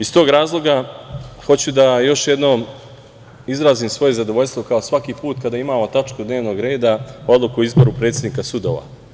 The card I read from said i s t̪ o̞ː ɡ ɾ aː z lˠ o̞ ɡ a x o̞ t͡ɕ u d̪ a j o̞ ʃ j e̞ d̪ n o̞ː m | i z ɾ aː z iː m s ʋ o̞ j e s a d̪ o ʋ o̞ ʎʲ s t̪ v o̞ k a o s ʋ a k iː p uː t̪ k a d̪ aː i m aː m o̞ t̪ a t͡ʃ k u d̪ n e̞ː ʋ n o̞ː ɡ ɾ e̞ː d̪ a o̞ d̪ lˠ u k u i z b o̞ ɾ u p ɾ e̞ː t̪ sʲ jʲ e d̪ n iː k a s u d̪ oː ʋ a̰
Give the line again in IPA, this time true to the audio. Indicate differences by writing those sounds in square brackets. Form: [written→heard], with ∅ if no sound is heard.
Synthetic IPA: i s t̪ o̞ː ɡ ɾ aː z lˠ o̞ ɡ a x o̞ t͡ɕ u d̪ a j o̞ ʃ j e̞ d̪ n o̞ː m | i z ɾ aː z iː m s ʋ o̞ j e [s→z] a d̪ o ʋ o̞ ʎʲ s t̪ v o̞ k a o s ʋ a k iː p uː t̪ k a d̪ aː i m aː m o̞ t̪ a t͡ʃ k u d̪ n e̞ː ʋ n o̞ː ɡ ɾ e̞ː d̪ a o̞ d̪ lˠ u k u i z b o̞ ɾ u p ɾ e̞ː t̪ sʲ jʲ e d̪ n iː k a s u d̪ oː ʋ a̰